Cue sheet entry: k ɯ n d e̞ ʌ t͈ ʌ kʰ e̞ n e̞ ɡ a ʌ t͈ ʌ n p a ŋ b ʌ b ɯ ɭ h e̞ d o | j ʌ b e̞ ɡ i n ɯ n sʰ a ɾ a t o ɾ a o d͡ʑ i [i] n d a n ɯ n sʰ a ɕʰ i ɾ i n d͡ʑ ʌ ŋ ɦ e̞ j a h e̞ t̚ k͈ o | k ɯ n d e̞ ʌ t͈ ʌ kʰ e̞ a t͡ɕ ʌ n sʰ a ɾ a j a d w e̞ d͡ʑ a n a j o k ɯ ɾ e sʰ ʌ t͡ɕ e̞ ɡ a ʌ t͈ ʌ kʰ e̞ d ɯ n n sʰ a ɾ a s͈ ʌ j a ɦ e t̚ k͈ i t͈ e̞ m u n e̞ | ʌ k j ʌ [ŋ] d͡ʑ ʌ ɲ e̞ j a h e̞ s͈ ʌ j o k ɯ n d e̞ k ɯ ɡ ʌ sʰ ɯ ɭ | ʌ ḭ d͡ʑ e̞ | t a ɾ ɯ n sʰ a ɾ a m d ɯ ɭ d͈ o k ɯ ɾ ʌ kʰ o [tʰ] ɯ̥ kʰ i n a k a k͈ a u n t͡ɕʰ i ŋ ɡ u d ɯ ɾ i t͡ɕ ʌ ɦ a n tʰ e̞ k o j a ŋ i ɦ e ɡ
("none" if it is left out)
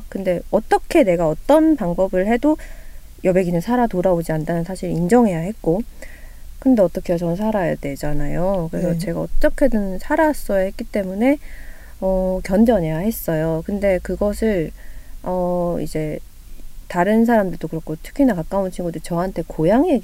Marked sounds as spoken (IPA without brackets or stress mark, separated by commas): a, n, tʰ